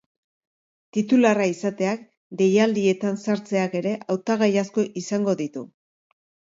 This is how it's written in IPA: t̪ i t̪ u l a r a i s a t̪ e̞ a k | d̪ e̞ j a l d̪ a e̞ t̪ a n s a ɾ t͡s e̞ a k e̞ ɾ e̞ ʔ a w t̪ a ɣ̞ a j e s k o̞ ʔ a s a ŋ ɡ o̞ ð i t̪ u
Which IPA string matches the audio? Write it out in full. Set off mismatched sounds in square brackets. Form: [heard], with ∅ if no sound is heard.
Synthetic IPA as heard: t̪ i t̪ u l a r a i s a t̪ e̞ a k | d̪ e̞ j a l d̪ [i] e̞ t̪ a n s a ɾ t͡s e̞ a k e̞ ɾ e̞ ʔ a w t̪ a ɣ̞ a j [a] s k o̞ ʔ [i] s a ŋ ɡ o̞ ð i t̪ u

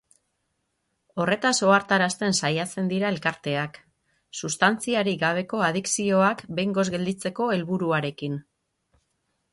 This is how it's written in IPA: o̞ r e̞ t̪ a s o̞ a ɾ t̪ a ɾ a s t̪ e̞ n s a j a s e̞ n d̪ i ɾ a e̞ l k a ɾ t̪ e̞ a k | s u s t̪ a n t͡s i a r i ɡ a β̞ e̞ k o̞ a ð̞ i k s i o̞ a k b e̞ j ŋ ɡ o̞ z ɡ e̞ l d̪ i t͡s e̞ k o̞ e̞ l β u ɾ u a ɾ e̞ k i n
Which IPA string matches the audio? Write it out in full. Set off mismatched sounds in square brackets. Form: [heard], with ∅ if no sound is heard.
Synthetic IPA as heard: o̞ r e̞ t̪ a s o̞ a ɾ t̪ a ɾ a s t̪ e̞ n s a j a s e̞ n d̪ i ɾ a e̞ l k a ɾ t̪ e̞ a k | s u s t̪ a n t͡s i a [ɾ] i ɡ a β̞ e̞ k o̞ a ð̞ i k s i o̞ a k b e̞ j ŋ ɡ o̞ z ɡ e̞ l d̪ i t͡s e̞ k o̞ e̞ l β u ɾ u a ɾ e̞ k i n

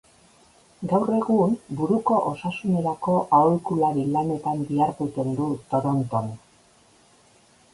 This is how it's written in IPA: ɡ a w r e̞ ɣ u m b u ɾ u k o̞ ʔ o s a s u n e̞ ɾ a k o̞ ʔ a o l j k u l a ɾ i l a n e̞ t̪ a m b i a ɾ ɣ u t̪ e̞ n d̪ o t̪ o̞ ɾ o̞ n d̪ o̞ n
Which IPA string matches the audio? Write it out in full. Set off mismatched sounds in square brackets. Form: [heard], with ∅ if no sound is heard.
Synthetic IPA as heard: ɡ a w r e̞ ɣ u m b u ɾ u k o̞ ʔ o s a s u n e̞ ɾ a k o̞ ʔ a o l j k u l a ɾ i l a n e̞ t̪ a m b i a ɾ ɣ u t̪ e̞ n d̪ [u] t̪ o̞ ɾ o̞ n [t̪] o̞ n

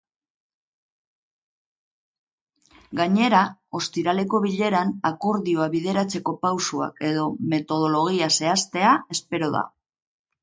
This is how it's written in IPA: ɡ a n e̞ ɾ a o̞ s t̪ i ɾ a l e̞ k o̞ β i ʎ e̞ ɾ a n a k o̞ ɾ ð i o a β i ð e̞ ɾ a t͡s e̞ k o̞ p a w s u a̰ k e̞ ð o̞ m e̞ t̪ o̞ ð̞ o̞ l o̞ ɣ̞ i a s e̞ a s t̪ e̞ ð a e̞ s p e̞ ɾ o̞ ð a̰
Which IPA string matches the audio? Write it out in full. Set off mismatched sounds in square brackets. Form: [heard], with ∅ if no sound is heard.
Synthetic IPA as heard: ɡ a [ɲ] e̞ ɾ a o̞ s t̪ i ɾ a l e̞ k o̞ β i ʎ e̞ ɾ a n a k o̞ ɾ ð i o a β i ð e̞ ɾ a t͡s e̞ k o̞ p a w s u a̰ k e̞ ð o̞ m e̞ t̪ o̞ ð̞ o̞ l o̞ ɣ̞ i a s e̞ a s t̪ e̞ [∅] a e̞ s p e̞ ɾ o̞ ð a̰

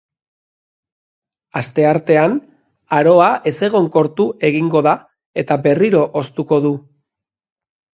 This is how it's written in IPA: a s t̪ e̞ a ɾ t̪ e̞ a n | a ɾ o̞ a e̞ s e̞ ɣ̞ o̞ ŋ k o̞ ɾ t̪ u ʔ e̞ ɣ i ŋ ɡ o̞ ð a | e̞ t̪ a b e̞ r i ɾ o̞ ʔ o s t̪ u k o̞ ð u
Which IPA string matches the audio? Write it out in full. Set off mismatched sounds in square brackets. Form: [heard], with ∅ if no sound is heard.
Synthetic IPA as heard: a s t̪ e̞ a ɾ t̪ e̞ a n | a ɾ o̞ a e̞ s e̞ ɣ̞ o̞ ŋ k o̞ ɾ t̪ u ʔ e̞ ɣ i ŋ ɡ o̞ ð a | e̞ t̪ a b e̞ r i ɾ o̞ ʔ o s t̪ u k o̞ ð u

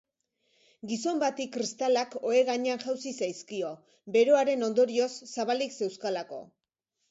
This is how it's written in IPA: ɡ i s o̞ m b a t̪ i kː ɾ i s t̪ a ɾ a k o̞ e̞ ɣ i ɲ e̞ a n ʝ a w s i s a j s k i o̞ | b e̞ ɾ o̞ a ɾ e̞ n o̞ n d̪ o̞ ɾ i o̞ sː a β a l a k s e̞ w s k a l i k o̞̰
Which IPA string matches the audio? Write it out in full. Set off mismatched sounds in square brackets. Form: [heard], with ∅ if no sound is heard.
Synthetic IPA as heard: ɡ i s o̞ m b a t̪ i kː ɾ i s t̪ a [l] a k o̞ e̞ ɣ [a] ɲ e̞ a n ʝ a w s i s a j s k i o̞ | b e̞ ɾ o̞ a ɾ e̞ n o̞ n d̪ o̞ ɾ i o̞ sː a β a l [i] k s e̞ w s k a l [a] k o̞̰

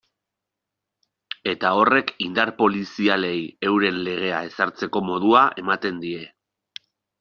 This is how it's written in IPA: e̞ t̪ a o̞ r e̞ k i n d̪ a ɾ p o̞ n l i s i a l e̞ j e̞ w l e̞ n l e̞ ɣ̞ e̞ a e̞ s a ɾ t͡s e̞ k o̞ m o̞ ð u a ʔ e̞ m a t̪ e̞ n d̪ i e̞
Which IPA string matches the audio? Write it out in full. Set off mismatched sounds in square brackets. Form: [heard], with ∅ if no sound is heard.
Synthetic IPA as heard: e̞ t̪ a o̞ r e̞ k i n d̪ a ɾ p o̞ [∅] l i s i a l e̞ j e̞ w [ɾ] e̞ n l e̞ ɣ̞ e̞ a e̞ s a ɾ t͡s e̞ k o̞ m o̞ ð u a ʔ e̞ m a t̪ e̞ n d̪ i e̞

